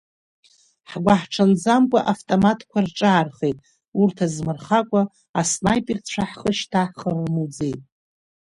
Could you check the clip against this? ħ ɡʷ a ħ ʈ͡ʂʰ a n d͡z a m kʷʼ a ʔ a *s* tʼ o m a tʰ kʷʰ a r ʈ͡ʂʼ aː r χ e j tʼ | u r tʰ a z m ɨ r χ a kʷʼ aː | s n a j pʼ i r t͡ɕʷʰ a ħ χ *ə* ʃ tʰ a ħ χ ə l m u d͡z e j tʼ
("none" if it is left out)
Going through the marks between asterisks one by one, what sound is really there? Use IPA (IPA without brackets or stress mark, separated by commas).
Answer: f, ə